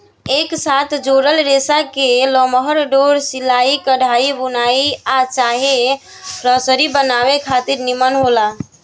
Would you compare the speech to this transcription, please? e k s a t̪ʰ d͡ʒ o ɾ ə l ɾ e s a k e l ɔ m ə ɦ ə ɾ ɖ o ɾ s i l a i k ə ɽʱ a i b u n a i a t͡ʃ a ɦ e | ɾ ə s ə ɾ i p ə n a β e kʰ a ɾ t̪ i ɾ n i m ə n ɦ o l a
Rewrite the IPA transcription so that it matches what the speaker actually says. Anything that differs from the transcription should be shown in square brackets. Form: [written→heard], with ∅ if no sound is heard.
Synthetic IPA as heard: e k s a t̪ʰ d͡ʒ o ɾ ə l ɾ e s a k e l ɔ m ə ɦ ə ɾ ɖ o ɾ s i l a i k ə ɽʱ a i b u n a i a t͡ʃ a ɦ e | ɾ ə s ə ɾ i [p→b] ə n a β e kʰ a [ɾ→∅] t̪ i ɾ n i m ə n ɦ o l a